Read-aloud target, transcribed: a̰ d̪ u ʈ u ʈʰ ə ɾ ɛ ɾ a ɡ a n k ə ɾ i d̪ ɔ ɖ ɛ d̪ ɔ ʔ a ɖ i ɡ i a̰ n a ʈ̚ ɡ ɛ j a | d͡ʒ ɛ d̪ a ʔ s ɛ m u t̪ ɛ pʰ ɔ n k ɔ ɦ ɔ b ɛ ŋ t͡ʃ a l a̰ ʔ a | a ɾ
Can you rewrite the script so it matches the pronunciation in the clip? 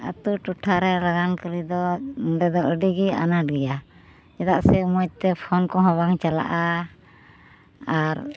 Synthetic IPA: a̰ t̪ u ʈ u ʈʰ a ɾ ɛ ɾ a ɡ a n k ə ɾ i d̪ ɔ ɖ ɛ d̪ ɔ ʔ ə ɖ i ɡ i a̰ n a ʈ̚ ɡ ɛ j a | d͡ʒ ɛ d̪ a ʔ s ɛ m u t̪ ɛ pʰ ɔ n k ɔ ɦ ɔ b a ŋ t͡ʃ a l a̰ ʔ a | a ɾ